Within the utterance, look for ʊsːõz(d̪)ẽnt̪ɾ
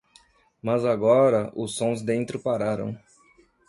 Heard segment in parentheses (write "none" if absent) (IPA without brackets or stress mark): d̪